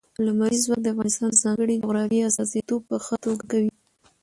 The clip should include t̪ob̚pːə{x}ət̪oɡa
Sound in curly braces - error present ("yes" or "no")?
no